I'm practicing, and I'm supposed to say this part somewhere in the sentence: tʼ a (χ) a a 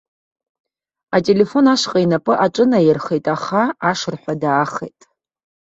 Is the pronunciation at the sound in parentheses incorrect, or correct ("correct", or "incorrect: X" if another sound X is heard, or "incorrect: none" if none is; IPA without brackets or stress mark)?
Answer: correct